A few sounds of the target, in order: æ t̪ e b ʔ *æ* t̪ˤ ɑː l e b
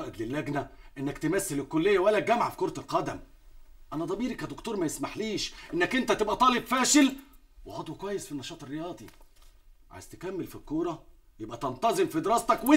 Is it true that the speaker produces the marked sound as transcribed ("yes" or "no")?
yes